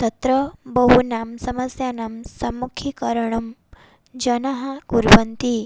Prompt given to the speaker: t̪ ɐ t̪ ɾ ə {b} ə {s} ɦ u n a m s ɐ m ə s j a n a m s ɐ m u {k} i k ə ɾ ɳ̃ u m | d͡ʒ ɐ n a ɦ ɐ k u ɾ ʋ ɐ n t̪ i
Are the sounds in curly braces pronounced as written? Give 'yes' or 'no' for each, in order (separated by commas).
yes, no, no